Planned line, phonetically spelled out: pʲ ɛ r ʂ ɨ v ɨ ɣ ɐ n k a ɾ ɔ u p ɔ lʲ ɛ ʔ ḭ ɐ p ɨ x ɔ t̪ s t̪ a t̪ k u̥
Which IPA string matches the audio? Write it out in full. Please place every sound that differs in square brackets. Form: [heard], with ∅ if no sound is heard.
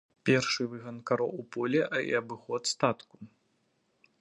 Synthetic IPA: pʲ ɛ r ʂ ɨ v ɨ ɣ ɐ n k a ɾ ɔ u p ɔ lʲ ɛ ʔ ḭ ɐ [b] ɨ x ɔ t̪ s t̪ a t̪ k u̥

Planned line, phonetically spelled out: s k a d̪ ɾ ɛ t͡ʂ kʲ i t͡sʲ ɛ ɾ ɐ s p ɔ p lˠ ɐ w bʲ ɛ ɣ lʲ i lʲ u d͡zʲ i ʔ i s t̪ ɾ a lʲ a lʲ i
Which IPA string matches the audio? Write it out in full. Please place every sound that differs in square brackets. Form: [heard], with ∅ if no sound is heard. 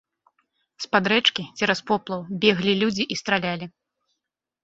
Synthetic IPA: s [p] a d̪ ɾ ɛ t͡ʂ kʲ i t͡sʲ ɛ ɾ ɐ s p ɔ p lˠ ɐ w bʲ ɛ ɣ lʲ i lʲ u d͡zʲ i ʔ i s t̪ ɾ a lʲ a lʲ i

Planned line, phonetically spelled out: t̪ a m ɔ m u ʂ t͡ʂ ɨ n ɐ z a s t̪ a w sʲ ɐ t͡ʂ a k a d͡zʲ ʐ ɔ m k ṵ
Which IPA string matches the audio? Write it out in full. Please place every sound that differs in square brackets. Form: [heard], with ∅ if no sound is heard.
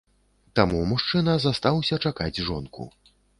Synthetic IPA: t̪ a m [u] m u ʂ t͡ʂ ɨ n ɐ z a s t̪ a w sʲ ɐ t͡ʂ a k a d͡zʲ ʐ ɔ [n] k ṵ

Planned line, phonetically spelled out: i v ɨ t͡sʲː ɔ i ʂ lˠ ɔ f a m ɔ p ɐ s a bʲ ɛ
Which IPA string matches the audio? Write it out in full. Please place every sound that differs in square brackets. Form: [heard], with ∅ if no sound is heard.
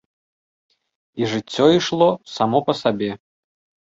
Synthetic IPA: i [ʐ] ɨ t͡sʲː ɔ i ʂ lˠ ɔ [s] a m ɔ p ɐ s a bʲ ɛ

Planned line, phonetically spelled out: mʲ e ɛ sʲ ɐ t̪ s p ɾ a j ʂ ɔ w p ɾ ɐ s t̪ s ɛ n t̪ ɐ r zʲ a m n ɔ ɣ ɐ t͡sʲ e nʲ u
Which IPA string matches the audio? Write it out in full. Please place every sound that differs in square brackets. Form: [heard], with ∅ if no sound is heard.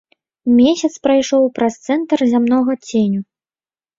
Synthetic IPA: mʲ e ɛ sʲ ɐ t̪ s p ɾ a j ʂ ɔ w p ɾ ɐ s t̪ s ɛ n t̪ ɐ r zʲ a m n ɔ ɣ ɐ t͡sʲ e nʲ u

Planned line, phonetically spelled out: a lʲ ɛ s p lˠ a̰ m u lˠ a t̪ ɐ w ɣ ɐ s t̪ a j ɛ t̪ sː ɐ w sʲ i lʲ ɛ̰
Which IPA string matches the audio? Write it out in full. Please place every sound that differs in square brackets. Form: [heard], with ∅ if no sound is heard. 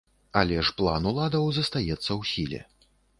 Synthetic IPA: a lʲ ɛ [ʂ] p lˠ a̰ [n] u lˠ a [d̪] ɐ w [z] ɐ s t̪ a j ɛ t̪ sː ɐ w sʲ i lʲ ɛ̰

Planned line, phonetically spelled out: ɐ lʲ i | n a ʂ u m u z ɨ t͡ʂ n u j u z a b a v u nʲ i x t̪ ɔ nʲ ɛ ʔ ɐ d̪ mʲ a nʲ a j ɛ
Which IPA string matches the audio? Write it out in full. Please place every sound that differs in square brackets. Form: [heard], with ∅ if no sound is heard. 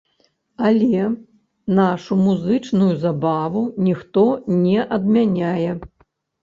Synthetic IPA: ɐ lʲ [ɛ] | n a ʂ u m u z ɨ t͡ʂ n u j u z a b a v u nʲ i x t̪ ɔ nʲ ɛ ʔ ɐ d̪ mʲ a nʲ a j ɛ

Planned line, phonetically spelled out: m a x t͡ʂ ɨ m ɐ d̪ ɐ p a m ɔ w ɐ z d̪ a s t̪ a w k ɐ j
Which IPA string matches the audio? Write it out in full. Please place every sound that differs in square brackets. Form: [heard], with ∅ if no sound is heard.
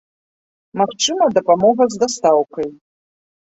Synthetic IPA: m a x t͡ʂ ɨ m ɐ d̪ ɐ p a m ɔ [ɣ] ɐ z d̪ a s t̪ a w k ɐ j

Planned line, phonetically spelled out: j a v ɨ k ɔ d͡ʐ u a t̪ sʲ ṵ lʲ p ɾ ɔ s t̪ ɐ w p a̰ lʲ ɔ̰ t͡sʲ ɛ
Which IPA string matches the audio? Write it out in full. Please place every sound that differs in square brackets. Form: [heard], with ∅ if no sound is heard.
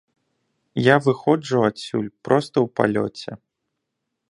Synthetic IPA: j a v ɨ [x] ɔ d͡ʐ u a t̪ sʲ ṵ lʲ p ɾ ɔ s t̪ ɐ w p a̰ lʲ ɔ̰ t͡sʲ ɛ

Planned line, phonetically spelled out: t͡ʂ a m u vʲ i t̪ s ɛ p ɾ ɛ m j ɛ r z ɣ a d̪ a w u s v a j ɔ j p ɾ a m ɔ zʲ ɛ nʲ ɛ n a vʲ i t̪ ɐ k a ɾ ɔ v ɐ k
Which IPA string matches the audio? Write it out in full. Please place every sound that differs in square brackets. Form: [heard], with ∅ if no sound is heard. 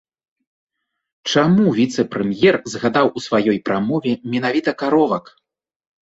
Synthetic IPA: t͡ʂ a m u vʲ i t̪ s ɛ p ɾ ɛ m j ɛ r z ɣ a d̪ a w u s v a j ɔ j p ɾ a m ɔ [vʲ] ɛ [mʲ] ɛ n a vʲ i t̪ ɐ k a ɾ ɔ v ɐ k

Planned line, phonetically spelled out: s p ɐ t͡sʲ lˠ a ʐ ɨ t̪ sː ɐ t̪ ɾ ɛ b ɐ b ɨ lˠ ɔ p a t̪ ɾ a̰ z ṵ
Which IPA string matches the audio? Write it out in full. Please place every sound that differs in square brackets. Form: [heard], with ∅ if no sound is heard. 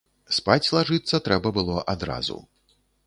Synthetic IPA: s p [a] t͡sʲ lˠ a ʐ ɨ t̪ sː ɐ t̪ ɾ ɛ b ɐ b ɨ lˠ ɔ [ʔ] a [d̪] ɾ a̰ z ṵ

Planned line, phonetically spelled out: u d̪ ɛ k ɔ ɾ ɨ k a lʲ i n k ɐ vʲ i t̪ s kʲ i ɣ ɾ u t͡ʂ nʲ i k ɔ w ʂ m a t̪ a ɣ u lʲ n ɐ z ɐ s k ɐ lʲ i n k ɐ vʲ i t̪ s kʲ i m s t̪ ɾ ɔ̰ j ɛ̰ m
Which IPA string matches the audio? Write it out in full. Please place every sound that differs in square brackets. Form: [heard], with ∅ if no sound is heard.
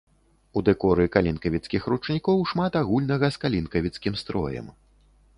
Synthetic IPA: u d̪ ɛ k ɔ ɾ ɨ k a lʲ i n k ɐ vʲ i t̪ s kʲ i [x] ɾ u t͡ʂ nʲ i k ɔ w ʂ m a t̪ a ɣ u lʲ n ɐ [ɣ] ɐ s k [a] lʲ i n k ɐ vʲ i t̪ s kʲ i m s t̪ ɾ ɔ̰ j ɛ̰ m

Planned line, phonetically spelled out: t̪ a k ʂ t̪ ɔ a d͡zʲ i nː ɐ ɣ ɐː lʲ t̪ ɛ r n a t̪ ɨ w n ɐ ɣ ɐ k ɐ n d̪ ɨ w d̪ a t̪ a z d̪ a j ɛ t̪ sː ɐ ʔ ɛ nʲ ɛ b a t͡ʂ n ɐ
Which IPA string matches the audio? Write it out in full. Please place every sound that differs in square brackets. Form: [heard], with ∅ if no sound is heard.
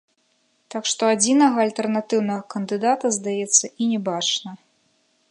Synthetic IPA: t̪ a k ʂ t̪ ɔ a d͡zʲ i [n] ɐ ɣ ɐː lʲ t̪ ɛ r n a t̪ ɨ w n ɐ ɣ ɐ k ɐ n d̪ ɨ [∅] d̪ a t̪ [ɐ] z d̪ a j ɛ t̪ sː ɐ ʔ [i] nʲ ɛ b a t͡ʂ n ɐ

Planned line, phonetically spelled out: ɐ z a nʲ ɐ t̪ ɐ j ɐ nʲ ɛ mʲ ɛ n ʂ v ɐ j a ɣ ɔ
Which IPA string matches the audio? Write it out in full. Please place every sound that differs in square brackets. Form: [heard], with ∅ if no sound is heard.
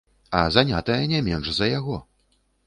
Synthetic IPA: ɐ z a nʲ [a] t̪ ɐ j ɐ nʲ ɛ mʲ ɛ n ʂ [z] ɐ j a ɣ ɔ

